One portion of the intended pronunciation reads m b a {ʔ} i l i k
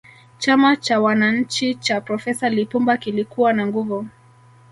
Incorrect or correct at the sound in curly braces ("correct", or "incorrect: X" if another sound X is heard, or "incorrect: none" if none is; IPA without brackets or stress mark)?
incorrect: k